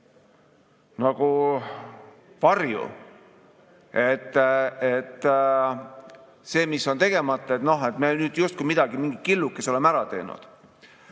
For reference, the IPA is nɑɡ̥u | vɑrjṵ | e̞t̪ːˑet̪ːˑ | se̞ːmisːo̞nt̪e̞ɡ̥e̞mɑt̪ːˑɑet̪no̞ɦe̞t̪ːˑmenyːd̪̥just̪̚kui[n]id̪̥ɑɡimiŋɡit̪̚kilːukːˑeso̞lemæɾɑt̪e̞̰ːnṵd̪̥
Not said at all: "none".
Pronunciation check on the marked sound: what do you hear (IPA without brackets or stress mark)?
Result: m